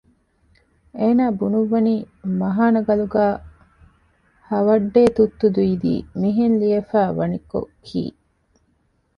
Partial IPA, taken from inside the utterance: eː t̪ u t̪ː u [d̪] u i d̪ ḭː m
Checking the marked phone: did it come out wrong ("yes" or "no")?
no